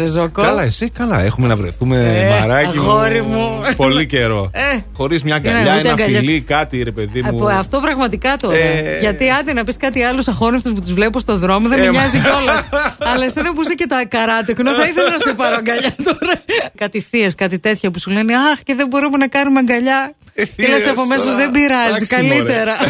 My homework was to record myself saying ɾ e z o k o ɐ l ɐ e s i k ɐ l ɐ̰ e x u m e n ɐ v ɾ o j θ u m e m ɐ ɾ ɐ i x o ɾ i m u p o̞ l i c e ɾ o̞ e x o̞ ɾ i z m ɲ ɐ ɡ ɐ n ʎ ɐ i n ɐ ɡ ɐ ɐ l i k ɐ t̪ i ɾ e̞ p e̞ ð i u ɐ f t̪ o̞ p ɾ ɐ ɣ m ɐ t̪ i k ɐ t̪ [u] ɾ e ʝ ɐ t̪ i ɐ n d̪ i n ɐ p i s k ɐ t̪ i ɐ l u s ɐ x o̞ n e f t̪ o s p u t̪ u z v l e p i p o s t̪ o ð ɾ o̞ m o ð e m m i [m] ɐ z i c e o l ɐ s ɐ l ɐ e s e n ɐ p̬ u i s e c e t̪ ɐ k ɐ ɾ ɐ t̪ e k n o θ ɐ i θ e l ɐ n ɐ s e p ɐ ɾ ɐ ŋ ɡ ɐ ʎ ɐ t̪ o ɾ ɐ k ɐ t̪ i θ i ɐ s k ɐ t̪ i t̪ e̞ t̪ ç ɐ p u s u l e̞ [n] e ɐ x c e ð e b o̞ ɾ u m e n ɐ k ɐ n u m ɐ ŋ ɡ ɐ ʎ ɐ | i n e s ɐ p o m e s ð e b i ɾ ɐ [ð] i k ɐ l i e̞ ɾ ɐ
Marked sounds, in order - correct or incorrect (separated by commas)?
incorrect, incorrect, correct, incorrect